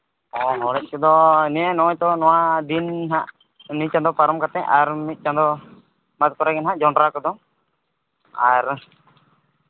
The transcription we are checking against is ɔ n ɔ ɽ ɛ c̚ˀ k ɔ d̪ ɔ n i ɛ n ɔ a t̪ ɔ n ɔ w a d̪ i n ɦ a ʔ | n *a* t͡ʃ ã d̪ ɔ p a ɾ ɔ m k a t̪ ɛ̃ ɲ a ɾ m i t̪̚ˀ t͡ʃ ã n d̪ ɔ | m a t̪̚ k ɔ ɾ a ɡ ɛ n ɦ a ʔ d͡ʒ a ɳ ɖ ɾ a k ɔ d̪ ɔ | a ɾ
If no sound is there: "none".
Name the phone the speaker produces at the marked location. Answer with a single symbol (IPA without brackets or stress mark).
i